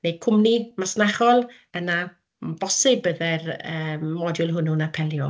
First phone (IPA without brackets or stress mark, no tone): n